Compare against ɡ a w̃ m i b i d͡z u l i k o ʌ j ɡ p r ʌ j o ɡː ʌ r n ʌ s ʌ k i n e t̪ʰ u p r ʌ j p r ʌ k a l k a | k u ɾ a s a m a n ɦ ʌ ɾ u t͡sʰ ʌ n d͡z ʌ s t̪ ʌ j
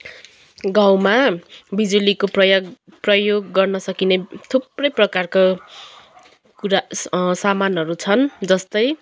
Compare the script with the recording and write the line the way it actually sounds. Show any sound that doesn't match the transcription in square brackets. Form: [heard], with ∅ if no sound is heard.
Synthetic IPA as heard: ɡ a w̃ m [a] b i d͡z u l i k o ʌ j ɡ p r ʌ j o ɡː ʌ r n ʌ s ʌ k i n e t̪ʰ u p r ʌ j p r ʌ k a [r] k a | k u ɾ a s a m a n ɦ ʌ ɾ u t͡sʰ ʌ n d͡z ʌ s t̪ ʌ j